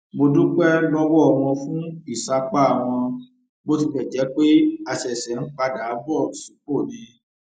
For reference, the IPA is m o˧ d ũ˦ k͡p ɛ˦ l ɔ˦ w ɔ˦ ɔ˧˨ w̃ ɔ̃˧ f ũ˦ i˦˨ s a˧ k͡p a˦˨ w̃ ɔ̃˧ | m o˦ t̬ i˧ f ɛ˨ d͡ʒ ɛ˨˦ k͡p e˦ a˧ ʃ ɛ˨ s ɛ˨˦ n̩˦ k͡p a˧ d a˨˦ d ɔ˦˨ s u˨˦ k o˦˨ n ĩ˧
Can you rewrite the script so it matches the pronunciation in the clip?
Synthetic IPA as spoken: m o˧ d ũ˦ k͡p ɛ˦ l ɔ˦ w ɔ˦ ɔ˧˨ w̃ ɔ̃˧ f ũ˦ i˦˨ s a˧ k͡p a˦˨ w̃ ɔ̃˧ | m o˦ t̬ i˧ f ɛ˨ d͡ʒ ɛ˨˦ k͡p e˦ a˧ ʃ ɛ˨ s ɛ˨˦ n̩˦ k͡p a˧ d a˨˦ b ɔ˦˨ s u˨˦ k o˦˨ n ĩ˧